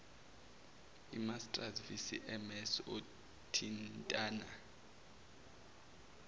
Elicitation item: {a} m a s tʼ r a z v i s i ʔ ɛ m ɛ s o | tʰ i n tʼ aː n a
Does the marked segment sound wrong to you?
yes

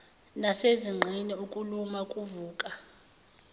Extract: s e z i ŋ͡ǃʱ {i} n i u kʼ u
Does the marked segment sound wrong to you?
no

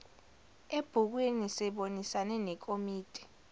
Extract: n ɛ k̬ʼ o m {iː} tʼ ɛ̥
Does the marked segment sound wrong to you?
no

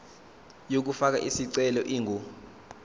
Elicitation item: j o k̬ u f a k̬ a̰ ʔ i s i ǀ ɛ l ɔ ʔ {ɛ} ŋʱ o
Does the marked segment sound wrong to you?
yes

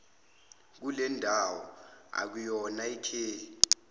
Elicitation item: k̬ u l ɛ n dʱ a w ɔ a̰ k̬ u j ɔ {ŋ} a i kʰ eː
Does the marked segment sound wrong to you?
yes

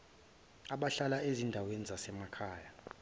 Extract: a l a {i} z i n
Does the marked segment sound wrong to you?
yes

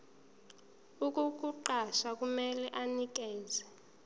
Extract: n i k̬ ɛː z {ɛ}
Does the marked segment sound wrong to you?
no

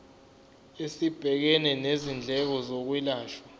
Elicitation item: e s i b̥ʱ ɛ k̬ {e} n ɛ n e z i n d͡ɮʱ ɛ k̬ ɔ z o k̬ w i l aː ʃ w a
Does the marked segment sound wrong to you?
yes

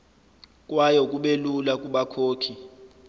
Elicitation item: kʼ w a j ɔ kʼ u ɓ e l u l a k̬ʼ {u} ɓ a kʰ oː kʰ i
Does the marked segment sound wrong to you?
no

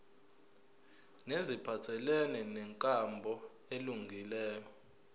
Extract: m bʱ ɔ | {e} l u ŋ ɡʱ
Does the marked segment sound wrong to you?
no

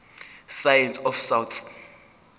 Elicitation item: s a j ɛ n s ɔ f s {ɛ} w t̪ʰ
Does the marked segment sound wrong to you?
yes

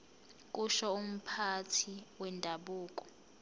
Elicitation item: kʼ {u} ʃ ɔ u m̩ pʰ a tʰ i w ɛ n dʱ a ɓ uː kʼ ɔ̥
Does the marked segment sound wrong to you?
no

